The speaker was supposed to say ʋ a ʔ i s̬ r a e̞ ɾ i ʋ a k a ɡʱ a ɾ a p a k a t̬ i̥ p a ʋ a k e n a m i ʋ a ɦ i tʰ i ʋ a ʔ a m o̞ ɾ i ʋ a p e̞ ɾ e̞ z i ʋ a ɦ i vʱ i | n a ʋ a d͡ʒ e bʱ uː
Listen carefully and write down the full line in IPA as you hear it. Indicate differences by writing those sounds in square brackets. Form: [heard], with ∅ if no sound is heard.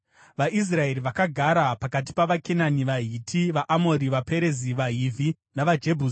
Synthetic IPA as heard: ʋ a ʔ i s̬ r a e̞ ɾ i ʋ a k a ɡʱ a ɾ a p a k a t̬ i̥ p a ʋ a k e n a [n] i ʋ a ɦ i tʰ i ʋ a ʔ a m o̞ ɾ i ʋ a p e̞ ɾ e̞ z i ʋ a ɦ i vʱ i | n a ʋ a d͡ʒ e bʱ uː